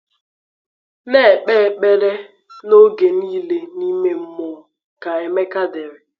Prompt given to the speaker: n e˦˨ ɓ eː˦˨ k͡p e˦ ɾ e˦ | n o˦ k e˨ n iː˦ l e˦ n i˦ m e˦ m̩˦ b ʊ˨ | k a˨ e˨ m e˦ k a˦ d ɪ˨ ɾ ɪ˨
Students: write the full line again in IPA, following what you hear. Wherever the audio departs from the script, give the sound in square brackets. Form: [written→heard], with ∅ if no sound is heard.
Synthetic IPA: n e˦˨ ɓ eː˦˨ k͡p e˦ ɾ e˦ | n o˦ [k→ɡ] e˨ n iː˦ l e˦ n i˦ m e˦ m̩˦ [b→m] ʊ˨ | k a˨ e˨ m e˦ k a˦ d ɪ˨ ɾ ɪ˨